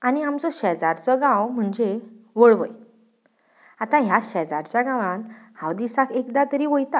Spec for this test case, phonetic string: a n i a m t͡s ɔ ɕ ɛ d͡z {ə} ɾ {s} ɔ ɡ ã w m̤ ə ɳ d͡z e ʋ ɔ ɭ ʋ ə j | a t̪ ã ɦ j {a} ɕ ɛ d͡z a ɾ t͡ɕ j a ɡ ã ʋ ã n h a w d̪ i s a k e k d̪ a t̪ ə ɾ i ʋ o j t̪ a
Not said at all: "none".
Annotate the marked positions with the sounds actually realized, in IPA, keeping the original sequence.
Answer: a, t͡s, a

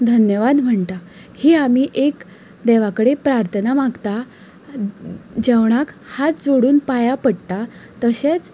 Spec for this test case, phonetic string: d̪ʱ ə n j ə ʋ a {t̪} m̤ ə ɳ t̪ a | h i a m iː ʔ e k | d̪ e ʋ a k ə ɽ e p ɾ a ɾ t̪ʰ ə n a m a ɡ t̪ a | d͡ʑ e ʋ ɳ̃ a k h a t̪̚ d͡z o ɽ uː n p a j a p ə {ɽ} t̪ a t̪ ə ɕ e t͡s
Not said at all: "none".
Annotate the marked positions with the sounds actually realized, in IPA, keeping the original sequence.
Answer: d̪, ɽ

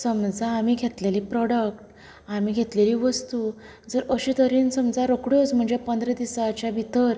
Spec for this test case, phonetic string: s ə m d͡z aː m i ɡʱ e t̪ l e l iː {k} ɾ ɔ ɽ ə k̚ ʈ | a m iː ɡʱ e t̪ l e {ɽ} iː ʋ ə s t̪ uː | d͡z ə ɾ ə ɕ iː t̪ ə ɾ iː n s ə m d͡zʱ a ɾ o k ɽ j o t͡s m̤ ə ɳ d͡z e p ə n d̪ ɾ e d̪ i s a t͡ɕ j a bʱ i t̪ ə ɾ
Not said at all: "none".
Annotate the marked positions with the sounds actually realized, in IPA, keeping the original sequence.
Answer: p, l

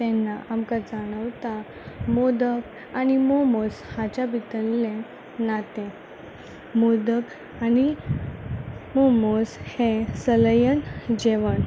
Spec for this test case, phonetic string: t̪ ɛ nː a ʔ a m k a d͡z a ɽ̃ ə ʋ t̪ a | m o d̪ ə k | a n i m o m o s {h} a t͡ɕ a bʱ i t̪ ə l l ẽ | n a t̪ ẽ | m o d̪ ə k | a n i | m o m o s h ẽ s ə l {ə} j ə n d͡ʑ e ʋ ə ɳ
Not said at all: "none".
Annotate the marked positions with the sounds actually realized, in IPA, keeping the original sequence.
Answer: h, ə

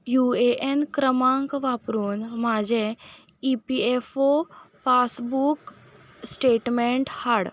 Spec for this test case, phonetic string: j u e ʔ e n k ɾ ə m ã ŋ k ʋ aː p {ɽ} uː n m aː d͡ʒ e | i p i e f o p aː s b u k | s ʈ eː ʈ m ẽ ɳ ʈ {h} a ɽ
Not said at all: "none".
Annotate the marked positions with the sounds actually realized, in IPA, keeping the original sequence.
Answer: ɾ, h

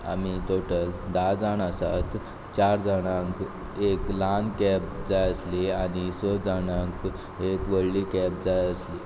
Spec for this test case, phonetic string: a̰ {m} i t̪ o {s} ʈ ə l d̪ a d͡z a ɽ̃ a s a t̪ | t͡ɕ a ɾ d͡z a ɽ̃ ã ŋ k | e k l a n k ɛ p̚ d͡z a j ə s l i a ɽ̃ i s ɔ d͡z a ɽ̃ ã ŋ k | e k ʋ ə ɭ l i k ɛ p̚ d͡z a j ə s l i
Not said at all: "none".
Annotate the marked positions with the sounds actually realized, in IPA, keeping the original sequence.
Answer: m, none

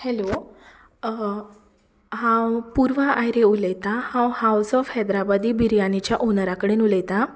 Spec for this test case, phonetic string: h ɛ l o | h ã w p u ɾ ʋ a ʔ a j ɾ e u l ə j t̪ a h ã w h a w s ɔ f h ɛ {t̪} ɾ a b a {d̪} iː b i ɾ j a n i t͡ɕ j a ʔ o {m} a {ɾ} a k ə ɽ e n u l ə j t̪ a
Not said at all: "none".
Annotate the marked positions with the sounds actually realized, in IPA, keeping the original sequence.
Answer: d̪, d̪, n, ɾ

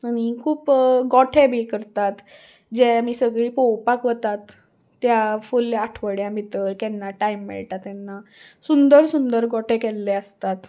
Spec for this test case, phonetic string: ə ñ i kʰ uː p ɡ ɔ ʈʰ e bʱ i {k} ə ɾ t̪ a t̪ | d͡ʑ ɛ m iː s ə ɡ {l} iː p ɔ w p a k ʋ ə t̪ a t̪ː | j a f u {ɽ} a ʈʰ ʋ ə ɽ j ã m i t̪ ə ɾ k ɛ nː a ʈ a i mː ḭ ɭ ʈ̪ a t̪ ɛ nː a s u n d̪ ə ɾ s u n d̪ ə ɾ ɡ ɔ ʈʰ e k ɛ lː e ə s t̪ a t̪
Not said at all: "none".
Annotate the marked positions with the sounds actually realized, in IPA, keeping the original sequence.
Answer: k, ɭ, l

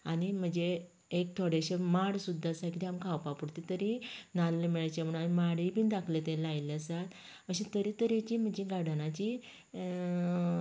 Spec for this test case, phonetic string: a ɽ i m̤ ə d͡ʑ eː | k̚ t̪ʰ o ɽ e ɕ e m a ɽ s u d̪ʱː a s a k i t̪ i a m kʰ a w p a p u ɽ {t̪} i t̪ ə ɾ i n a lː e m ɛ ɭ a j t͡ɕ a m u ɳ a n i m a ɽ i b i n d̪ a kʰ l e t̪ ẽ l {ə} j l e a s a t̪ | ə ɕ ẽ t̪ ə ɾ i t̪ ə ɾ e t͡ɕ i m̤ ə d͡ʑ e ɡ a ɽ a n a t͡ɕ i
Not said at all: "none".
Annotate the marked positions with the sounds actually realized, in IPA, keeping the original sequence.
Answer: t̪, a

